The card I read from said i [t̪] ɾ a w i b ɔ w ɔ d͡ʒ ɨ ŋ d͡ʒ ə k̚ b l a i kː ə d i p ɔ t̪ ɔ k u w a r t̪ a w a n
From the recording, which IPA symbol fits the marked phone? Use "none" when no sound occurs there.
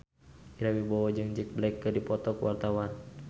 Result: none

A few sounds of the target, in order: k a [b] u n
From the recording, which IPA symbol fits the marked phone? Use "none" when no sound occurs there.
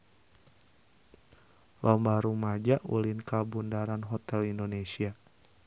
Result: b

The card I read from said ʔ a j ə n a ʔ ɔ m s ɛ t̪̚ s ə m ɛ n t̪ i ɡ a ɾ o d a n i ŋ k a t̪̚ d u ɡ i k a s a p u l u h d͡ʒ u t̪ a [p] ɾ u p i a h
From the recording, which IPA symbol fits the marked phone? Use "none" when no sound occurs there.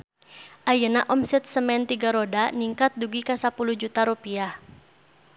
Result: none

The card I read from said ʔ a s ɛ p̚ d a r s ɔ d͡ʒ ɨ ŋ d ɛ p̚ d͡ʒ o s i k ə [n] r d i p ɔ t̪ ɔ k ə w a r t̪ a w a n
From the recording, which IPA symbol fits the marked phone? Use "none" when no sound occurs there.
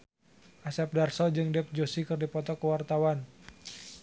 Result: none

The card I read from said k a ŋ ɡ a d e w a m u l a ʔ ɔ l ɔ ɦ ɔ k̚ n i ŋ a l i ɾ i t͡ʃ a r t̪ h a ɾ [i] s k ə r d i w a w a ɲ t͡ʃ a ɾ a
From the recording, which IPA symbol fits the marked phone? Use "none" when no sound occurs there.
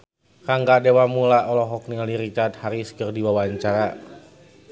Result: i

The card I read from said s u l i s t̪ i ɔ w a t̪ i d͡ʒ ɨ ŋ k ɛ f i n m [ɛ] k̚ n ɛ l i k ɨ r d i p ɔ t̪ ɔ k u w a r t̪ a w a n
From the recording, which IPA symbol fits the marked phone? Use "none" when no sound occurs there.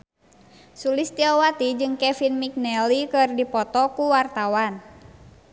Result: i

